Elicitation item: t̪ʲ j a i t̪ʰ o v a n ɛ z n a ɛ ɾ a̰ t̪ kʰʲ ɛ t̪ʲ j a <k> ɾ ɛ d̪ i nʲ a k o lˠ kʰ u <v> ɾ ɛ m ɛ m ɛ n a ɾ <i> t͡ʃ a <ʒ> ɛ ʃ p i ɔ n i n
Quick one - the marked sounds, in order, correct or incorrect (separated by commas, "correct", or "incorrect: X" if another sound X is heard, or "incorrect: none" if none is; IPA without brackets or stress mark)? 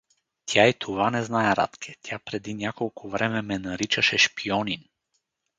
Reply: incorrect: p, correct, correct, incorrect: ʃ